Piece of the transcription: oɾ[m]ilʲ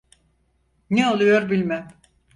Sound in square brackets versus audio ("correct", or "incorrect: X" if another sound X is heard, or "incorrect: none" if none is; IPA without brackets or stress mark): incorrect: b